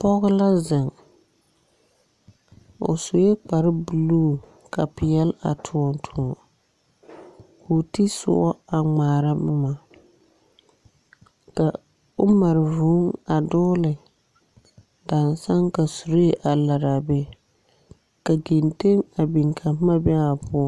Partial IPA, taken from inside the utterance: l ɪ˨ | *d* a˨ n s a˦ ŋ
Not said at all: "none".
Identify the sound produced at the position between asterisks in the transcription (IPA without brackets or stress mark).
d